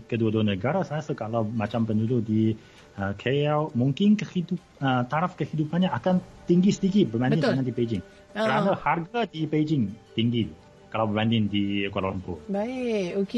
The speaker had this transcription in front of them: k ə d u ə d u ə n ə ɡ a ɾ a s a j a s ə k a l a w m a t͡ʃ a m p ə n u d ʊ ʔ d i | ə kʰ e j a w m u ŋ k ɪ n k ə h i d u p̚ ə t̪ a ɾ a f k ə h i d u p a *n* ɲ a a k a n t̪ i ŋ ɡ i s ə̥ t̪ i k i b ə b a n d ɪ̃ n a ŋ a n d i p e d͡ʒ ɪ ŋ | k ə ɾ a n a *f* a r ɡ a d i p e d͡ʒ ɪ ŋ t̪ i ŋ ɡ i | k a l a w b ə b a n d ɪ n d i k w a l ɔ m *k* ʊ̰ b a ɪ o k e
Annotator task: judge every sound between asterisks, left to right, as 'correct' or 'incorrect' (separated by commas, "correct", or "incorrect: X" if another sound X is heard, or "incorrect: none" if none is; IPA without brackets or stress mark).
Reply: correct, incorrect: h, incorrect: p